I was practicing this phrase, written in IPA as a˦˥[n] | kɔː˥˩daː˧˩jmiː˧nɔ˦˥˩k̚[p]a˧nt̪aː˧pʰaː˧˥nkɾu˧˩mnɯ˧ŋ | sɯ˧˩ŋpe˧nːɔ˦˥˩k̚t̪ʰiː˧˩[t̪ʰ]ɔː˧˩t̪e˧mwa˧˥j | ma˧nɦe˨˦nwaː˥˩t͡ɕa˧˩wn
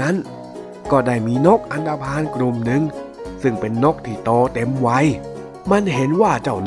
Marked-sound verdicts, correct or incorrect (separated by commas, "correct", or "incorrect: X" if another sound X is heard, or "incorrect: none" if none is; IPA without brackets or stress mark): correct, incorrect: ʔ, incorrect: t̪